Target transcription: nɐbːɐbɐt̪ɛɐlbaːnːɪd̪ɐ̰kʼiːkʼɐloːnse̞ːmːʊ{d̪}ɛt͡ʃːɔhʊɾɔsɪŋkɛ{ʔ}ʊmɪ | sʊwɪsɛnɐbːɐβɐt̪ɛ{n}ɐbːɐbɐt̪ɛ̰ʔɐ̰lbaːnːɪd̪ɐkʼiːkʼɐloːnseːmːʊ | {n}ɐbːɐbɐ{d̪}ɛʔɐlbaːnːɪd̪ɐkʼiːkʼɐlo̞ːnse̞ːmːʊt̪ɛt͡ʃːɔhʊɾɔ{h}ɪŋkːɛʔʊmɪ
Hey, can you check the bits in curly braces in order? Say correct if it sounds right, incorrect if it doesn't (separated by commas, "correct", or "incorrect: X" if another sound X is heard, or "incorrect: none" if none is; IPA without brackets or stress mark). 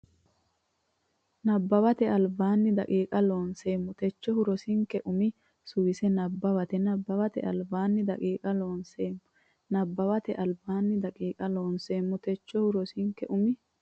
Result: incorrect: t̪, correct, correct, correct, incorrect: t̪, incorrect: s